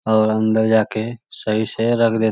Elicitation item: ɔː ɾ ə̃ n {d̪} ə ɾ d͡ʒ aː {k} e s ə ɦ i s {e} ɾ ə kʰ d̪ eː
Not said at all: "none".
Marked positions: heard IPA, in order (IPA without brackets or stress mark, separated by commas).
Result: d̪, k, e